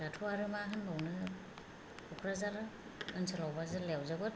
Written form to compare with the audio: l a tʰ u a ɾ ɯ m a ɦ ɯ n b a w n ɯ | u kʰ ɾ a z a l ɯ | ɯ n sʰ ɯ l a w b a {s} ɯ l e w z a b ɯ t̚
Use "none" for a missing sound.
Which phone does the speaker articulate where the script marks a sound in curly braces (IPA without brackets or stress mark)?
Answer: z